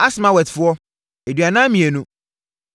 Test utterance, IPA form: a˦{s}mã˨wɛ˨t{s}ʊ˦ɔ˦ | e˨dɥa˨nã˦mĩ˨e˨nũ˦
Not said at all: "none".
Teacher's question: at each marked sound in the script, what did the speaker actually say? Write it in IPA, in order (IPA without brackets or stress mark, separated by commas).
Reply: s, f